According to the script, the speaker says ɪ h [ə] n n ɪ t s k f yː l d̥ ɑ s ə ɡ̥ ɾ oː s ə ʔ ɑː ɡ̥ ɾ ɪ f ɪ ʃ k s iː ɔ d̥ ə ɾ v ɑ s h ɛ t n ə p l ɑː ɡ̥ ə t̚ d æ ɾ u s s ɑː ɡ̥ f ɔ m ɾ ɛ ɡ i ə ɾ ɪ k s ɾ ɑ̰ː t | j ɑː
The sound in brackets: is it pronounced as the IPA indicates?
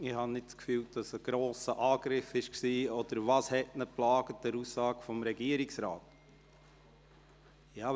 no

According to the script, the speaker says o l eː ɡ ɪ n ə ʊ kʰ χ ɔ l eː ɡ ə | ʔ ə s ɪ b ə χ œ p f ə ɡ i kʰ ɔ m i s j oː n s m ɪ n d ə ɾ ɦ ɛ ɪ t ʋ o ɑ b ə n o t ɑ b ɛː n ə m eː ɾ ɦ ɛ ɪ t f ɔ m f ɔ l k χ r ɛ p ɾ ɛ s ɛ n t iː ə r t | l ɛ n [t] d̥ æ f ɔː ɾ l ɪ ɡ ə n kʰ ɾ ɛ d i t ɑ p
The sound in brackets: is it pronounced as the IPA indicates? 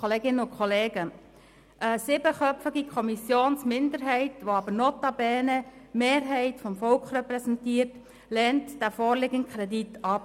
yes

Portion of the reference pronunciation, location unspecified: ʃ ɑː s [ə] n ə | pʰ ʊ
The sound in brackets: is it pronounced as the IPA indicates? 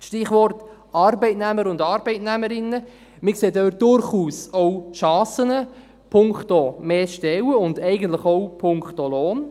yes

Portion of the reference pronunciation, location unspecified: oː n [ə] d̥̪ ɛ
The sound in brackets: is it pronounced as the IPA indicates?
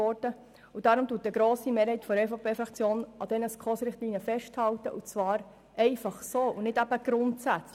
no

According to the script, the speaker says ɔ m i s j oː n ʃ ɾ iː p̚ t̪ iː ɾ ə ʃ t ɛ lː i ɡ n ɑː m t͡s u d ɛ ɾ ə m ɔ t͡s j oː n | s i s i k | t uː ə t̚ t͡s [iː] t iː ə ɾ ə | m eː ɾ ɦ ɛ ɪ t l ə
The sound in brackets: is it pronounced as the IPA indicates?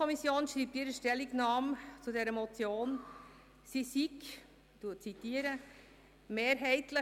no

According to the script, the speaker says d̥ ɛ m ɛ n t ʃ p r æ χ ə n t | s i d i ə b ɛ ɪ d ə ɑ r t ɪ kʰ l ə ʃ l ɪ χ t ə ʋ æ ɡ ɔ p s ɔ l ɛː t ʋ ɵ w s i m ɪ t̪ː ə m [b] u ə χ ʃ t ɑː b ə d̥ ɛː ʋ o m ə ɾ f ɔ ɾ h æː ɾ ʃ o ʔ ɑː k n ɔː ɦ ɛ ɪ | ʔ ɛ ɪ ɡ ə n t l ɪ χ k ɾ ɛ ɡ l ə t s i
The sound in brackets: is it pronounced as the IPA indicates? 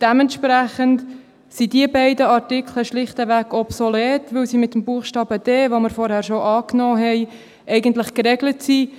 yes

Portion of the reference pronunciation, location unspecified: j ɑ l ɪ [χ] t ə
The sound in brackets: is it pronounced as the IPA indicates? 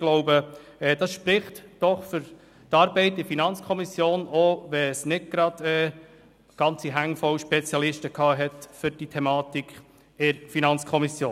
no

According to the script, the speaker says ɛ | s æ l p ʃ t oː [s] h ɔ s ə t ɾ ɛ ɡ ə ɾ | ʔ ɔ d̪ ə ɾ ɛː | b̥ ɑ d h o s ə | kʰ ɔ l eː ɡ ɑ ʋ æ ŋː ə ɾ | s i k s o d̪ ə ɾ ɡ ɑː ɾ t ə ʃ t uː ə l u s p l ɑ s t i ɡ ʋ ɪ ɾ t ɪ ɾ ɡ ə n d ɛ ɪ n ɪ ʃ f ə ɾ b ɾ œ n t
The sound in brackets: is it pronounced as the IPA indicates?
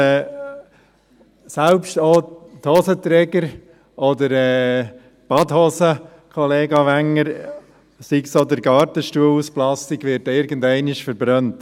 no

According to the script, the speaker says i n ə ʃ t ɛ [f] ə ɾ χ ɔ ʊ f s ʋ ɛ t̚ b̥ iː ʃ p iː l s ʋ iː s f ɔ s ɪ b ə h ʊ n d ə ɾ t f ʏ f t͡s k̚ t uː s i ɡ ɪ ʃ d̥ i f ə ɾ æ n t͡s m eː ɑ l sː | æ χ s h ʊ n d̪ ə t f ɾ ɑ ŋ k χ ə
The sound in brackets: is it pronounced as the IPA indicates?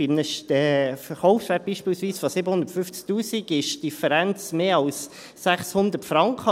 yes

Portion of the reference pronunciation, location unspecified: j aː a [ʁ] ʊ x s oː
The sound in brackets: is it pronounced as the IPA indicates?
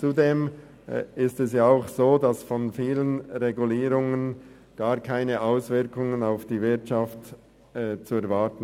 no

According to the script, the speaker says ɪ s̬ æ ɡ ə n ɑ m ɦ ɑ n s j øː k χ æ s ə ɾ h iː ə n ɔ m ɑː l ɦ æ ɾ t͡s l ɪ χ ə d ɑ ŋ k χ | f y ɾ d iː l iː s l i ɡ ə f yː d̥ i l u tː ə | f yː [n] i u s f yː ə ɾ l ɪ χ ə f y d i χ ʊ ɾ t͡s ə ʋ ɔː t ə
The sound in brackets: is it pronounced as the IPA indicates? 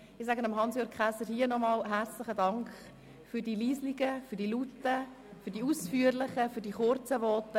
no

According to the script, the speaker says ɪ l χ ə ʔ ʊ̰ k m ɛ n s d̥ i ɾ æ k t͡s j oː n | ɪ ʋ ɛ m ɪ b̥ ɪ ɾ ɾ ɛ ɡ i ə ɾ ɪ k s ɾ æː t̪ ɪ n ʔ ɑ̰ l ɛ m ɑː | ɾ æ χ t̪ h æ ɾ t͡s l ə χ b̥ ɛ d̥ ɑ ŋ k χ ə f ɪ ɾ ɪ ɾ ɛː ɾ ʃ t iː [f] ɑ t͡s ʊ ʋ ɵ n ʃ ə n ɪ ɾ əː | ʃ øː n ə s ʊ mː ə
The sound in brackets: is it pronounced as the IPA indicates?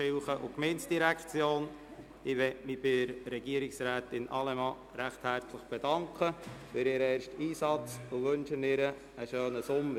no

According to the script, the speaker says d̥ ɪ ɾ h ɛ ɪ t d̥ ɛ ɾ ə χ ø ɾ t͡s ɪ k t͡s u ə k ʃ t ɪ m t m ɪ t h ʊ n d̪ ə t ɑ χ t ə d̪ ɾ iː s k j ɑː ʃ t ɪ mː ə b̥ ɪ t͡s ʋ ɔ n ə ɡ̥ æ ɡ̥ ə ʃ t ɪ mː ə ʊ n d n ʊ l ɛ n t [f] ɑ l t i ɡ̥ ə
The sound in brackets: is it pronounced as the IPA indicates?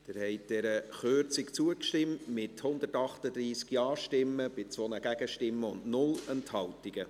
no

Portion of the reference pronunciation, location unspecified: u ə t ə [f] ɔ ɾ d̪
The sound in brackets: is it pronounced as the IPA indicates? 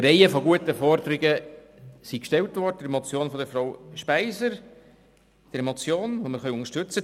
yes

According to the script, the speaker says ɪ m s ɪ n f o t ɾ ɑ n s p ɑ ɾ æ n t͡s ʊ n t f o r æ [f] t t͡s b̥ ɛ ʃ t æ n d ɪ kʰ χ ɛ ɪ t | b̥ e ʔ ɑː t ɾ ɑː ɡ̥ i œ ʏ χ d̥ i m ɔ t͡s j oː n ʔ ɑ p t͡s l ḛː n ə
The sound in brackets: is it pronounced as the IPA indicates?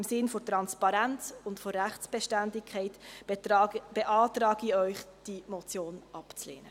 no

